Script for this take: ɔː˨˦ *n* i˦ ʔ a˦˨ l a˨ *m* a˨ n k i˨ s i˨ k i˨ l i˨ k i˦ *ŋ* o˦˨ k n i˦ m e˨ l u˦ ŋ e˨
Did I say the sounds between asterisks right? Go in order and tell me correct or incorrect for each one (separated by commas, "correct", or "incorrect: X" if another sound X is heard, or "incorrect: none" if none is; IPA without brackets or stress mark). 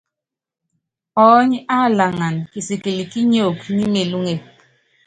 incorrect: ɲ, incorrect: ŋ, incorrect: ɲ